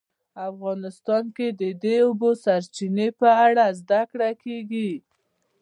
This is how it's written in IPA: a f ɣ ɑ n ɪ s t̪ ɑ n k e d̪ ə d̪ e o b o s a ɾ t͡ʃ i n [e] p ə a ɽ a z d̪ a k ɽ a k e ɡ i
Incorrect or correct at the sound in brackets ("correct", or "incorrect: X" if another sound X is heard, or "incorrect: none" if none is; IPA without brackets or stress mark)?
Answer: correct